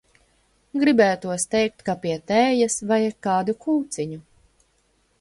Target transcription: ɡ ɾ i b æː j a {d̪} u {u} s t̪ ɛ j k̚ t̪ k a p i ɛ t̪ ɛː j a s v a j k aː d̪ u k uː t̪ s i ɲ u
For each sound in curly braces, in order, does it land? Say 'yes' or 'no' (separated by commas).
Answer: no, no